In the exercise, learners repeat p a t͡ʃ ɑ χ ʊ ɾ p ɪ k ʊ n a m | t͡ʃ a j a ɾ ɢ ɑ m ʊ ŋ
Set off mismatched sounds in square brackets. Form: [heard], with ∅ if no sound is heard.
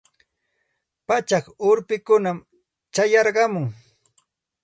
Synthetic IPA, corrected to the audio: p a t͡ʃ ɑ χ ʊ ɾ p ɪ k ʊ n a m | t͡ʃ a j [ɑ] ɾ ɢ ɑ m ʊ ŋ